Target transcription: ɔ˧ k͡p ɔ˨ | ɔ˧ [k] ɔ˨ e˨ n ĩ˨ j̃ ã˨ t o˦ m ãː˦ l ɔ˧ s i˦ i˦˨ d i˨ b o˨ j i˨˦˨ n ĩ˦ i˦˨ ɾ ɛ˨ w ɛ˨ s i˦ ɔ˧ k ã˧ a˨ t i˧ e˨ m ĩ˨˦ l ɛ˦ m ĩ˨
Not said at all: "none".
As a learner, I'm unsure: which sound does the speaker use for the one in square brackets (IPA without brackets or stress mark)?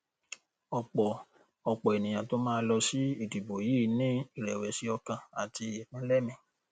k͡p